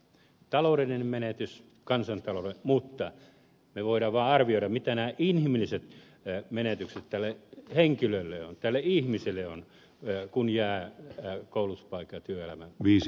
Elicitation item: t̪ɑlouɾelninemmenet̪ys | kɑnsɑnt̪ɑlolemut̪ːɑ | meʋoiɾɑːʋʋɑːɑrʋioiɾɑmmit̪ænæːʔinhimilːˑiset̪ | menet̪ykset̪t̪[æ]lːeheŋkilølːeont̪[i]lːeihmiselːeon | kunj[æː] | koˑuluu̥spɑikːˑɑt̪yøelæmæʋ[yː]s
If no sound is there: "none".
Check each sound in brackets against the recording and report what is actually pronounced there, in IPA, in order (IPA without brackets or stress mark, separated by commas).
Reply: æ, æ, æː, iː